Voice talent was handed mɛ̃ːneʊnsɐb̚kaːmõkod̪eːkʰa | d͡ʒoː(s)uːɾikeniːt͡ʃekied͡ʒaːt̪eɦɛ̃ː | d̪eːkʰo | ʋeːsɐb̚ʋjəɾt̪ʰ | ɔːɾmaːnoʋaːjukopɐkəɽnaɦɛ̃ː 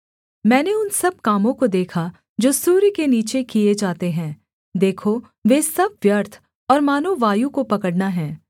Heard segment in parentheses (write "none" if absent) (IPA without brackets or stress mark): s